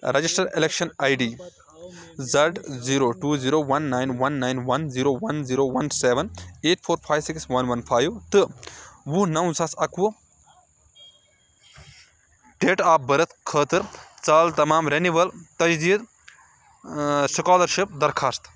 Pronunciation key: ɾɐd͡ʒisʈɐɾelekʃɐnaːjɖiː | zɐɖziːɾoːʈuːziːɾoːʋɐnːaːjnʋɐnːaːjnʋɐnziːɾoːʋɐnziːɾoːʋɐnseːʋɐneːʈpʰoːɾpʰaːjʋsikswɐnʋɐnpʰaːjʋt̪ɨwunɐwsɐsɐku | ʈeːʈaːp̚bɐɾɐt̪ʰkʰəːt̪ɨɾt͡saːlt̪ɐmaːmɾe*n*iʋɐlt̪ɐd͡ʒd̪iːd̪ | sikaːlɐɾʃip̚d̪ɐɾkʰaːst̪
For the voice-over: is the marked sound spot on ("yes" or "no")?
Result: yes